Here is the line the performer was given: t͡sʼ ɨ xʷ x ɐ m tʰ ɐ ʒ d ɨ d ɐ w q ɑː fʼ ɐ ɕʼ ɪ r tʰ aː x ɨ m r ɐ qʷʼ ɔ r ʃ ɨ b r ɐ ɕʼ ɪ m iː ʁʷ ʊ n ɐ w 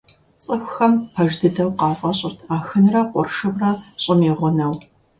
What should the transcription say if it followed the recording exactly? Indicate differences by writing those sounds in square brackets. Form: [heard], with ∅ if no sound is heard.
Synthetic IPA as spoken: t͡sʼ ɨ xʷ x ɐ m [pʰ] ɐ ʒ d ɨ d ɐ w q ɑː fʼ ɐ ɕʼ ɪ r tʰ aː x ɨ [n] r ɐ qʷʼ ɔ r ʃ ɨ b r ɐ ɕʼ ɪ m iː ʁʷ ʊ n ɐ w